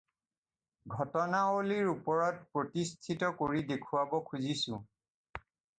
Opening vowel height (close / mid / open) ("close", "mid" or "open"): mid